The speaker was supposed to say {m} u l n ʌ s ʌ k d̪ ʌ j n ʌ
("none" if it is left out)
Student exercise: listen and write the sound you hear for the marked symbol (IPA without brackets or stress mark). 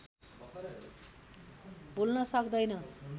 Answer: b